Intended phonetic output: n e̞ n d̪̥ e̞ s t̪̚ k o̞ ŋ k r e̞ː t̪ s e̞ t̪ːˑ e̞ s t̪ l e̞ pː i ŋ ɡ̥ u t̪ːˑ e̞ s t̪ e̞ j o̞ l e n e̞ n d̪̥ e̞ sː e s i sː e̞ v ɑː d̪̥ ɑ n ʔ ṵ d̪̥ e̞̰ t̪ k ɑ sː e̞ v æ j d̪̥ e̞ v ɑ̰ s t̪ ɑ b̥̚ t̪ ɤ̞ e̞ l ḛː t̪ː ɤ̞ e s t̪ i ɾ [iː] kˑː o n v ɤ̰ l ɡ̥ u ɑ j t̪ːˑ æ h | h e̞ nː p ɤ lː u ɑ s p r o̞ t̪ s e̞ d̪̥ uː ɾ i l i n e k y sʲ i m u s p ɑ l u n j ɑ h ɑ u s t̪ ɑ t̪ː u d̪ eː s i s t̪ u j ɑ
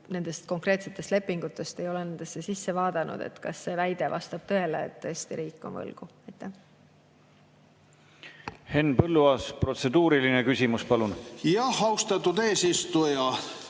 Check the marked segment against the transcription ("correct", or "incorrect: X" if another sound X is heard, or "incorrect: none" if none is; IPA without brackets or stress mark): correct